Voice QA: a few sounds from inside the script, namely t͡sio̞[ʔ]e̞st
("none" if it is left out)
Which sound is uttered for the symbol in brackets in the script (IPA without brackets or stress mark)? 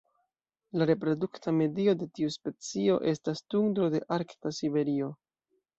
ʔ